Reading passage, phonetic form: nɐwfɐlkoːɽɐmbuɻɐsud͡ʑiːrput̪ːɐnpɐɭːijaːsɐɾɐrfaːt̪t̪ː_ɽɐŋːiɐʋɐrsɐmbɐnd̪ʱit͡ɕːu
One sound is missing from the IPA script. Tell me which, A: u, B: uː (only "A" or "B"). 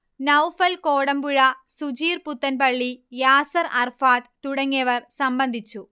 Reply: A